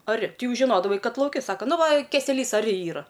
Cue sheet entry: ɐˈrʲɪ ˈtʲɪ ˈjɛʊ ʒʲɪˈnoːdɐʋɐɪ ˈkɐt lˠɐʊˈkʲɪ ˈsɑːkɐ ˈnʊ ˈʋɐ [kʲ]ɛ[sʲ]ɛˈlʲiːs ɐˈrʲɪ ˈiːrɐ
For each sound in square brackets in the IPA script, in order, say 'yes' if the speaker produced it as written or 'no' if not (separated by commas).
yes, yes